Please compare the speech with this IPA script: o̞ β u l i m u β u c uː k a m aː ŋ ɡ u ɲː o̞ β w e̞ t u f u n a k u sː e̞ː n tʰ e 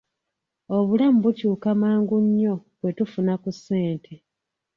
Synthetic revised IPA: o̞ β u l a m u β u c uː k a m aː ŋ ɡ u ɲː o̞ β w e̞ t u f u n a k u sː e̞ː n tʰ e